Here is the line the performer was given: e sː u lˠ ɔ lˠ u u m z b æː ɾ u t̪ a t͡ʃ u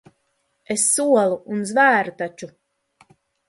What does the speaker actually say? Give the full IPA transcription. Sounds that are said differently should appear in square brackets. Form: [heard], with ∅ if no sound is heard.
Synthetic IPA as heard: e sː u [∅] ɔ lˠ u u [n] z [v] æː ɾ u t̪ a t͡ʃ u

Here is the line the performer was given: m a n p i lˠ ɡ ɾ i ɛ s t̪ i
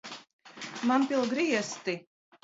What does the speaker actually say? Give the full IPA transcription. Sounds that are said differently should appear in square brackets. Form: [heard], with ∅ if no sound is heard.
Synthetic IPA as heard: m a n p i lˠ ɡ ɾ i ɛ s t̪ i

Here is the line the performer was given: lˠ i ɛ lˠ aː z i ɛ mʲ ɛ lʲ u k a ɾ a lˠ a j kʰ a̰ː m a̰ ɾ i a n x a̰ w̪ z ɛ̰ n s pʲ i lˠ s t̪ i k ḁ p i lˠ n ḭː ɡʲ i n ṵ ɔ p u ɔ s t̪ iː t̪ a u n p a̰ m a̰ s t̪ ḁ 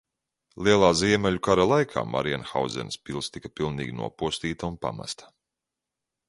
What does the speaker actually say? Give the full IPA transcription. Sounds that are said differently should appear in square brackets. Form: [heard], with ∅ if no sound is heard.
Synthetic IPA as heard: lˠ i ɛ lˠ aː z i ɛ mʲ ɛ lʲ u k a ɾ a lˠ a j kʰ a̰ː m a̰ ɾ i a n x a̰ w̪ z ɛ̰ n s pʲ i lˠ s t̪ i k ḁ p i lˠ n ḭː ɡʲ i n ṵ ɔ p u ɔ s t̪ iː t̪ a u n p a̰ m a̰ s t̪ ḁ

